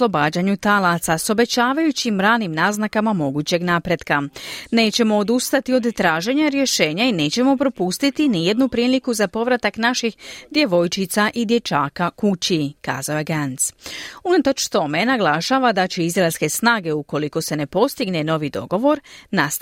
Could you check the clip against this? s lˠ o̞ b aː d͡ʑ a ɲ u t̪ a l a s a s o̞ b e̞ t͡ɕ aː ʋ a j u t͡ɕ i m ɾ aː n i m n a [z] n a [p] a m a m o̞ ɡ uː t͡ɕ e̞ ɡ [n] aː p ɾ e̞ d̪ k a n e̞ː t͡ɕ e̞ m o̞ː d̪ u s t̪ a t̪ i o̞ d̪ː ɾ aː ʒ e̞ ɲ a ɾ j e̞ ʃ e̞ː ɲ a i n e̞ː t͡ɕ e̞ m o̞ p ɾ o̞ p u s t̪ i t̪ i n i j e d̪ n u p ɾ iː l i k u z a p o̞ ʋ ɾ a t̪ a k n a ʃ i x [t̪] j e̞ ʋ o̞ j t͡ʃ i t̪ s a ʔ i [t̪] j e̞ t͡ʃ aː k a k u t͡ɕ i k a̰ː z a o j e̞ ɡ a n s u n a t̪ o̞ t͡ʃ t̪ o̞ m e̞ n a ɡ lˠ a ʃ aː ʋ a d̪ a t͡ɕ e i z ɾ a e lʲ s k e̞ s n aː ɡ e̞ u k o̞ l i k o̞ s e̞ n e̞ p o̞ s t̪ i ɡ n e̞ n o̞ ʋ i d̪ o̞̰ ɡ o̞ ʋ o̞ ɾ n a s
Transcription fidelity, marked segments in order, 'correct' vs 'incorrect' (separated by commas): correct, incorrect, correct, incorrect, incorrect